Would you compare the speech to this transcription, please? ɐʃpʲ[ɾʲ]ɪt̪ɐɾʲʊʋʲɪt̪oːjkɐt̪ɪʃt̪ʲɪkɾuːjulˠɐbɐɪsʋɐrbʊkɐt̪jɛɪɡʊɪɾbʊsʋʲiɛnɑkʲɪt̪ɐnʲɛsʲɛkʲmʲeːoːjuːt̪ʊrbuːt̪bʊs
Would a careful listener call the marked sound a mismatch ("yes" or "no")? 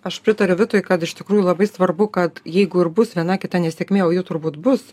no